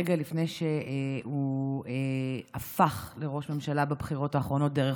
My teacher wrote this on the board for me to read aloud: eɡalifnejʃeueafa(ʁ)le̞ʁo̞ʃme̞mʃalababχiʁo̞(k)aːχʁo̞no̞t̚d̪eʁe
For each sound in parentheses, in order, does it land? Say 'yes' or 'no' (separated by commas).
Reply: no, no